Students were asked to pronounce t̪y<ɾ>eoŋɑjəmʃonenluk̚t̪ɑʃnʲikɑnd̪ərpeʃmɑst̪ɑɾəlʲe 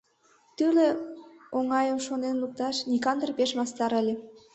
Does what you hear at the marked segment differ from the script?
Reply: yes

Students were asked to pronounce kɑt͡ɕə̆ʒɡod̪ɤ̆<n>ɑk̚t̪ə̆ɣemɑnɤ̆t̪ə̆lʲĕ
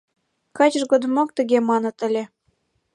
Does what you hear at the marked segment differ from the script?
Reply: yes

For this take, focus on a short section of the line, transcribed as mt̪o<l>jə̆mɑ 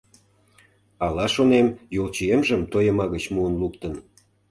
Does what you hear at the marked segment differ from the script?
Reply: yes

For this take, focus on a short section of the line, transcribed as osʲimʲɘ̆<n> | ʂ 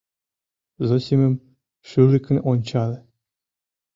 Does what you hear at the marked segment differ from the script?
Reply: yes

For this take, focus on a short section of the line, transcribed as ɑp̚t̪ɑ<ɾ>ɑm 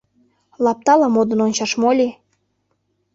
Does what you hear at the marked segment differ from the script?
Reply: yes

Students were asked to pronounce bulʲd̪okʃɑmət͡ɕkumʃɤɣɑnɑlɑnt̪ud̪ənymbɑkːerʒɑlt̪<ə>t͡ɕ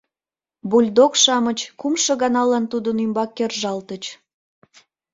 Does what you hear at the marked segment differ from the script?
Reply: no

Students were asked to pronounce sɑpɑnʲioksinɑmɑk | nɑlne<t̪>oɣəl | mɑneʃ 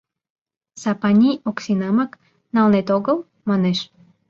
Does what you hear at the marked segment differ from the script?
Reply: no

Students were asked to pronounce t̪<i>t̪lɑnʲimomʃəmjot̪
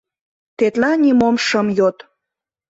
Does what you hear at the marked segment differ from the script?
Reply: yes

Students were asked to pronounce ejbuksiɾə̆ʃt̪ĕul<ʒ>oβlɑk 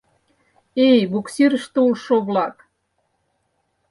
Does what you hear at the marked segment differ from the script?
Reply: yes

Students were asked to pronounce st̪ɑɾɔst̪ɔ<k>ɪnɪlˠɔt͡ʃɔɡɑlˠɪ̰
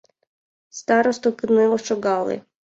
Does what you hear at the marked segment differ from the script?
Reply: no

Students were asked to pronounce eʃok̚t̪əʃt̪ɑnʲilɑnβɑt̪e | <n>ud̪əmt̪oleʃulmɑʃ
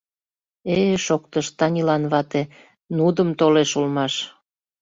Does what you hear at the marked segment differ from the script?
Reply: no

